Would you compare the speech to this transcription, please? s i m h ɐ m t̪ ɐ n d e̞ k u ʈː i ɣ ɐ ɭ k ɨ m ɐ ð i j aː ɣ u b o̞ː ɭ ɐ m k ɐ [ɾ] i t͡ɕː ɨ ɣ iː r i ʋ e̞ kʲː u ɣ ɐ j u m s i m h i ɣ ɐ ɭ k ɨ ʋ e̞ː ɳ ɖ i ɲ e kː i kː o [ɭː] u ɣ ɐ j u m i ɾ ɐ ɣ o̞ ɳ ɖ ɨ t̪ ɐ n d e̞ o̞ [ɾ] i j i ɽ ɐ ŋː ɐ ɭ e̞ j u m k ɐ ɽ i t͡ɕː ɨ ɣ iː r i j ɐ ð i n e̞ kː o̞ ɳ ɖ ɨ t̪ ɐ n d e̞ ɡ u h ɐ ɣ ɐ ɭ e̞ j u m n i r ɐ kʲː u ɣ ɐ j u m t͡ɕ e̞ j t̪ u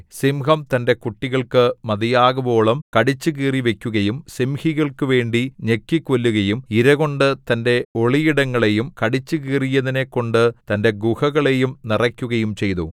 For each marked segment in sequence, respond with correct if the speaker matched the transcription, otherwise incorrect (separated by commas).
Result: incorrect, incorrect, incorrect